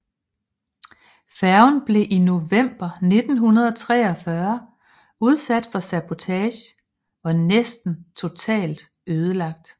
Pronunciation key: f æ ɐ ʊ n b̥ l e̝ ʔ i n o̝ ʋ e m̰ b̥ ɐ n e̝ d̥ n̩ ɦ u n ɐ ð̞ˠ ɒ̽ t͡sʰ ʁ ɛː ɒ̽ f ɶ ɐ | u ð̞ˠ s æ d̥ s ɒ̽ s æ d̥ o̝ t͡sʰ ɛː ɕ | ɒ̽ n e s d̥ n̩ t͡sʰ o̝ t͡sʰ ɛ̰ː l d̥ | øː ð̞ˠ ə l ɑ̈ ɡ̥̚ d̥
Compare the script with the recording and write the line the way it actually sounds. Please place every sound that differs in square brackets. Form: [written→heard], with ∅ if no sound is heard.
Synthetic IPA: f æ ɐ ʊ n b̥ l e̝ ʔ i n o̝ ʋ e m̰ b̥ ɐ n e̝ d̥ n̩ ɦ u n ɐ ð̞ˠ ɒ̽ t͡sʰ ʁ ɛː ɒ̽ f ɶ ɐ | u ð̞ˠ s æ d̥ [s→f] ɒ̽ s æ [d̥→b̥] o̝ t͡sʰ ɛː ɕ | ɒ̽ n e s d̥ n̩ t͡sʰ o̝ t͡sʰ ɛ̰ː l d̥ | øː ð̞ˠ ə l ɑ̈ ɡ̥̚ d̥

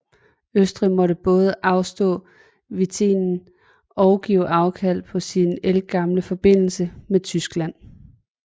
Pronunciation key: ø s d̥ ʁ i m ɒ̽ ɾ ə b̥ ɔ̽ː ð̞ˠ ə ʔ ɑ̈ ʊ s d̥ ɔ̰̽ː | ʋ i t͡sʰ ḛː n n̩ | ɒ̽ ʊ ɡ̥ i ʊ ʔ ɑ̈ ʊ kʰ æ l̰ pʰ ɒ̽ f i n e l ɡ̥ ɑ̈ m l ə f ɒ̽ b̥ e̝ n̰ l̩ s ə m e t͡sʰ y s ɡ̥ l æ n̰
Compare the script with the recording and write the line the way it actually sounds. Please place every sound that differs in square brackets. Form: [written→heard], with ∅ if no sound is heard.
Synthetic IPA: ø s d̥ ʁ i m ɒ̽ ɾ ə b̥ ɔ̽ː ð̞ˠ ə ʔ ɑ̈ ʊ s d̥ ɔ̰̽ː | ʋ i t͡sʰ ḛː n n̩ | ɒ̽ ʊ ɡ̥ i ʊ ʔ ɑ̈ ʊ kʰ æ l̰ pʰ ɒ̽ [f→s] i n e l ɡ̥ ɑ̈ m l ə f ɒ̽ b̥ e̝ n̰ l̩ s ə m e t͡sʰ y s ɡ̥ l æ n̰

